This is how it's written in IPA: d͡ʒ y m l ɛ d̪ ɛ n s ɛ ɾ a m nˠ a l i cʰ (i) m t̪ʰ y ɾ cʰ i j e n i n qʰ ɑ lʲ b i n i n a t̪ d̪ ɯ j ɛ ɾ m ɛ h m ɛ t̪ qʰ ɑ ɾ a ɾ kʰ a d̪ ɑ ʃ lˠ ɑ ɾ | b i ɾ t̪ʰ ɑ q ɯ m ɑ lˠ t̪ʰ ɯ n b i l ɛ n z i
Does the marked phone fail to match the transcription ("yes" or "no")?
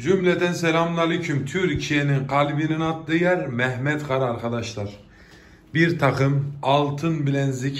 yes